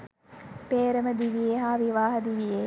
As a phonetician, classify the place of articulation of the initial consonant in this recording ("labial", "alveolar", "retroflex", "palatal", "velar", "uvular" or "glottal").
labial